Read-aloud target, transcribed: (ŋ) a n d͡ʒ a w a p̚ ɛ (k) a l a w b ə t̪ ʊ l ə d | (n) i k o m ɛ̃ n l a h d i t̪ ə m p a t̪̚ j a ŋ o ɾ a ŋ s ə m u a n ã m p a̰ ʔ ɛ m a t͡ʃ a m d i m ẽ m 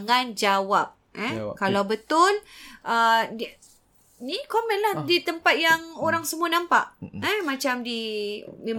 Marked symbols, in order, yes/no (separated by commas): yes, yes, yes